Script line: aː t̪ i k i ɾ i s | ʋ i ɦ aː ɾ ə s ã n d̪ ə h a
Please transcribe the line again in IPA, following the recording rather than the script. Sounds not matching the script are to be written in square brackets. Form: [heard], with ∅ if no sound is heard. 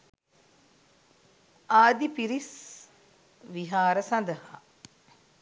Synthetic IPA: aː [d̪] i [p] i ɾ i s | ʋ i ɦ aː ɾ ə s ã n d̪ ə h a

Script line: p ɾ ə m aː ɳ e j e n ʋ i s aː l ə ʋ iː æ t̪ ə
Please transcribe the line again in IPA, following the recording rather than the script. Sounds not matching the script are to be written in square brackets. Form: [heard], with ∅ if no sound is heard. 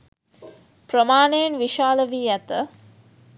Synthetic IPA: p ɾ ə m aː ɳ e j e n ʋ i [ʃ] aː l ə ʋ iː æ t̪ ə

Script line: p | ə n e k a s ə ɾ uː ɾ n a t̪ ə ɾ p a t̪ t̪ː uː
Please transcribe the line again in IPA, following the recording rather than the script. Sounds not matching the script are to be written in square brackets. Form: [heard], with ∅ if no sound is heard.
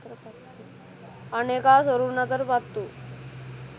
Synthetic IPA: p | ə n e k a s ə ɾ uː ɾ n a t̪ ə ɾ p a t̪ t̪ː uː

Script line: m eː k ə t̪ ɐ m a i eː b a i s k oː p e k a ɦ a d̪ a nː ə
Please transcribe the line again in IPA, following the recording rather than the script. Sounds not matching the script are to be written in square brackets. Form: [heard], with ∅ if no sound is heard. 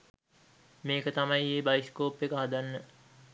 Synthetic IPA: m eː k ə t̪ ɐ m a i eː b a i s k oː p e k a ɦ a d̪ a nː ə

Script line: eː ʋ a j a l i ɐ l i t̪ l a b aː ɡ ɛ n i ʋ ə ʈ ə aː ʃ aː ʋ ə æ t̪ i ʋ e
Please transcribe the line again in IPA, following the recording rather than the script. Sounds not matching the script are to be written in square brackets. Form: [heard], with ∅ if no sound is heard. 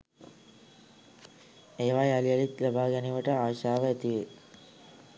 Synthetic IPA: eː ʋ a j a l i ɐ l i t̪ l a b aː ɡ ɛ n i ʋ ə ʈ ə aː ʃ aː ʋ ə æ t̪ i ʋ e

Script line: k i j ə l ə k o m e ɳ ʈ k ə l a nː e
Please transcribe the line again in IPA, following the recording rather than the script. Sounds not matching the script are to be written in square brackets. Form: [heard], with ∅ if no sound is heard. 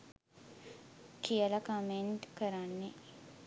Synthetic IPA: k i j ə l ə k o m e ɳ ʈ k ə [ɾ] a nː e

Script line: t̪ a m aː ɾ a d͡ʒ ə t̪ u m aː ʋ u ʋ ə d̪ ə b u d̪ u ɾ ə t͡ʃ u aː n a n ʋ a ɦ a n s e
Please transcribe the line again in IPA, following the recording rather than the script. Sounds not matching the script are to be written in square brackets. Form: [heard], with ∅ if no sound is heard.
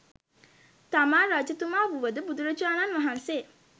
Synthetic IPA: t̪ a m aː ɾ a d͡ʒ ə t̪ u m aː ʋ u ʋ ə d̪ ə b u d̪ u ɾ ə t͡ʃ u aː n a n ʋ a ɦ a n s e

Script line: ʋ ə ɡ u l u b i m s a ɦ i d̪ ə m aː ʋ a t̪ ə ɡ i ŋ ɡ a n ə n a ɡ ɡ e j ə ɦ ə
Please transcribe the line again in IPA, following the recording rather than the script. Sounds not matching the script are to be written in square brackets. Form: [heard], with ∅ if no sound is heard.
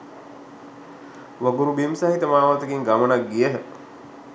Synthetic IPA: ʋ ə ɡ u [ɾ] u b i m s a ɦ i [t̪] ə m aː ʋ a t̪ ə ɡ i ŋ ɡ a [m] ə n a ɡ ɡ [i] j ə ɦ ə

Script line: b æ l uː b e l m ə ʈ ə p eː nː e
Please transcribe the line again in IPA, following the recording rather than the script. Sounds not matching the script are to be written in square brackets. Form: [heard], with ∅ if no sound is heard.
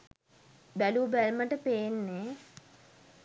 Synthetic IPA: b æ l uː b [æ] l m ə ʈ ə p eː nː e

